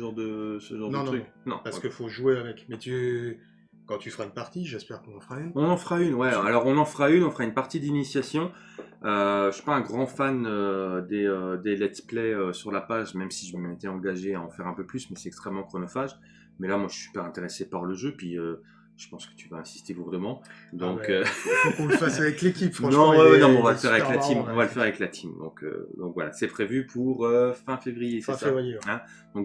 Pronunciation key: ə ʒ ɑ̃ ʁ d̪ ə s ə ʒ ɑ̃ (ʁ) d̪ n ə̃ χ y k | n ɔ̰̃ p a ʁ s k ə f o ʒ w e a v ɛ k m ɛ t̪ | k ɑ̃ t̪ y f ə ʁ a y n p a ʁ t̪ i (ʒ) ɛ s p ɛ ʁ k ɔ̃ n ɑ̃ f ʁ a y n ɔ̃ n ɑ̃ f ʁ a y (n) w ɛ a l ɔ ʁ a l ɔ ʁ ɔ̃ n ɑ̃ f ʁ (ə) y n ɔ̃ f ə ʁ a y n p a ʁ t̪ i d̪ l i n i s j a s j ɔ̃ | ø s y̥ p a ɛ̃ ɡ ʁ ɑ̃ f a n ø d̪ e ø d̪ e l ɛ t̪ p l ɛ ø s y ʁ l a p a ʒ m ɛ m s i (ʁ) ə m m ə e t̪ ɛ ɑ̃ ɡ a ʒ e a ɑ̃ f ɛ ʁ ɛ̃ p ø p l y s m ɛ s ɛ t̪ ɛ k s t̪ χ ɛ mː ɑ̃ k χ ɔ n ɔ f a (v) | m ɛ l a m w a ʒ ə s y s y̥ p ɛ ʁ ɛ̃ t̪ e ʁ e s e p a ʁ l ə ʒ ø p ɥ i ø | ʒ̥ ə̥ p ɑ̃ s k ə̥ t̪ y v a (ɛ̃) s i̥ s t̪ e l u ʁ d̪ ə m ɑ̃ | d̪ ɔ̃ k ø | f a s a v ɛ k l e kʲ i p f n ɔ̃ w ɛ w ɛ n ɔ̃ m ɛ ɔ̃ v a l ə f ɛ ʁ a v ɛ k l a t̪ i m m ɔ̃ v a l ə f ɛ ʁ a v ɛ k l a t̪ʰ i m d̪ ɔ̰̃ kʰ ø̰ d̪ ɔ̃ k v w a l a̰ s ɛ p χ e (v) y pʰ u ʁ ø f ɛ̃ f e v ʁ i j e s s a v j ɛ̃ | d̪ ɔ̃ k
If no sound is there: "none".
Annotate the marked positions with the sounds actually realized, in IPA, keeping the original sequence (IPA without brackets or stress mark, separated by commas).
ʁ, ʒ, n, a, ʒ, ʒ, ɛ̃, v